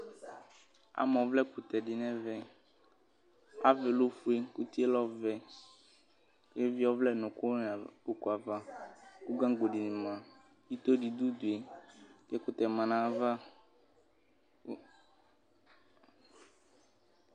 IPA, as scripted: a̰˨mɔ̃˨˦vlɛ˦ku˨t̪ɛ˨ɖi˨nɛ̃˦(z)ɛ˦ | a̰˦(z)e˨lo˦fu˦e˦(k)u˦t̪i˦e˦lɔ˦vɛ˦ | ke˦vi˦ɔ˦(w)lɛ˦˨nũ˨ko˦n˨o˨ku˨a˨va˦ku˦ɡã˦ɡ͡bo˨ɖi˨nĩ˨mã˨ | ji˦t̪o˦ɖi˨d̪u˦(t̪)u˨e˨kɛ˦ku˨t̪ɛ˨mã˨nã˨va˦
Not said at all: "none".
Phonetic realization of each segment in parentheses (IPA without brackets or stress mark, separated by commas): v, v, k, v, d̪